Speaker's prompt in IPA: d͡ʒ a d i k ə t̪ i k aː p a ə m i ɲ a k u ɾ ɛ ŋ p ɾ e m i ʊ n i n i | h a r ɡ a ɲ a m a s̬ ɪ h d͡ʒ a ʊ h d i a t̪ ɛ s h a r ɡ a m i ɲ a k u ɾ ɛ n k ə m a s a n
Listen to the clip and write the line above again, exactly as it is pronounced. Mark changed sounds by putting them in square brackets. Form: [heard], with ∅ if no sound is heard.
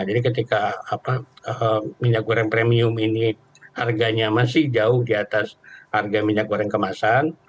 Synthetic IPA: d͡ʒ a d i k ə t̪ i k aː p a ə m i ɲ a k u ɾ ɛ ŋ p ɾ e m i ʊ [m] i n i | h a r ɡ a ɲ a m a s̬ ɪ h d͡ʒ a ʊ h d i a t̪ [a] s h a r ɡ a m i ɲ a k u ɾ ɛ [ŋ] k ə m a s a n